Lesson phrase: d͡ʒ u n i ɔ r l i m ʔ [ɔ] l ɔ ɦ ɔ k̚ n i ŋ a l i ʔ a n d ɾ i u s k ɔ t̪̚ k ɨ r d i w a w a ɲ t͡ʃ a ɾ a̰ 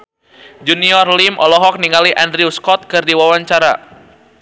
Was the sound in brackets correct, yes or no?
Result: yes